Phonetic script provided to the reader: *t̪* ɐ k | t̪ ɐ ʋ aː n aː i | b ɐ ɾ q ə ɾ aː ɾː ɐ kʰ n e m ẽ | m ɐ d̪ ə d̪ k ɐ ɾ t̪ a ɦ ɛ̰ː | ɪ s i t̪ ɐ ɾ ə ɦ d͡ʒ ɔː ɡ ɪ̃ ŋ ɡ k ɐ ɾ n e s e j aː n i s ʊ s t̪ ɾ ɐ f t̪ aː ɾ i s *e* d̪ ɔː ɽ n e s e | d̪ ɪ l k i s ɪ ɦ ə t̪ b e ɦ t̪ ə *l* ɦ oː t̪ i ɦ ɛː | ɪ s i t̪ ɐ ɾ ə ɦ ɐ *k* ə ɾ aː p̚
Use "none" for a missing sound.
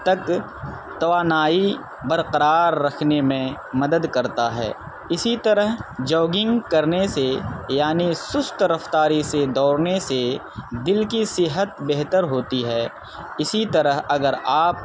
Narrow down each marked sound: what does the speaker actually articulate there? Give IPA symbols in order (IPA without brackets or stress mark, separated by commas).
t̪, e, ɾ, ɡ